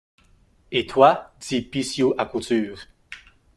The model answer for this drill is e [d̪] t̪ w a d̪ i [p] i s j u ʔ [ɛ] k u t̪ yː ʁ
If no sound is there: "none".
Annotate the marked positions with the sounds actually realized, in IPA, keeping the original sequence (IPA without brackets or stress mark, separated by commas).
none, p, a